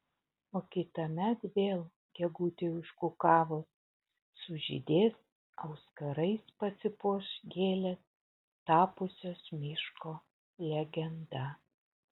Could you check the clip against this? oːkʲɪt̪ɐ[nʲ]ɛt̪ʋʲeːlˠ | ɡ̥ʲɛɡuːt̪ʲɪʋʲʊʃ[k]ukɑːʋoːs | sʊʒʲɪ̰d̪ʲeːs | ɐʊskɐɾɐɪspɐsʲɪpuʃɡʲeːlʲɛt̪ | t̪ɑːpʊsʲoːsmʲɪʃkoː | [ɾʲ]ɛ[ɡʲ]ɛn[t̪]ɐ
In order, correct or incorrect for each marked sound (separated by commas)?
incorrect, correct, incorrect, correct, incorrect